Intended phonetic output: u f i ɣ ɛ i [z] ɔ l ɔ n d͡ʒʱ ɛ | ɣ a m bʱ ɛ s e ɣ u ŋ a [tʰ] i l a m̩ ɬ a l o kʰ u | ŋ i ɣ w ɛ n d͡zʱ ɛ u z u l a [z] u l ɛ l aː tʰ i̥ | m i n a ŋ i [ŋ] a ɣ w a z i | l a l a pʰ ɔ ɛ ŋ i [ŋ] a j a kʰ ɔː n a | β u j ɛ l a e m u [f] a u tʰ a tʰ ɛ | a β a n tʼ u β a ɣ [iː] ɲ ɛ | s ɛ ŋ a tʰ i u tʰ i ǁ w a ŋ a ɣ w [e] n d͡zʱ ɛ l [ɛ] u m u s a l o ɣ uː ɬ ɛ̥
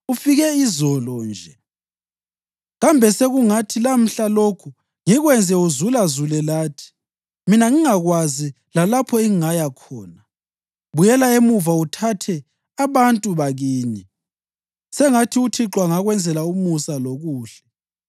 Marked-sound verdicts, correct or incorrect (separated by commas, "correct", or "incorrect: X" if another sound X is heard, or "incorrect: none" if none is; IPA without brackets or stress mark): correct, correct, correct, correct, correct, incorrect: v, correct, incorrect: ɛ, incorrect: a